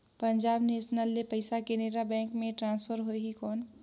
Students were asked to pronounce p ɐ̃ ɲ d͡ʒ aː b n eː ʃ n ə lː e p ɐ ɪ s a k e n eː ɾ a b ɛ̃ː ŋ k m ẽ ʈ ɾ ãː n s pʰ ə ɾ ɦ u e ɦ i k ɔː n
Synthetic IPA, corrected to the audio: p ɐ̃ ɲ d͡ʒ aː b n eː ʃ n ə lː e p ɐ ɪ s a k e n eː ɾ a b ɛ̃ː ŋ k m ẽ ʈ ɾ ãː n s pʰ ə ɾ ɦ o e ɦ i k ɔː n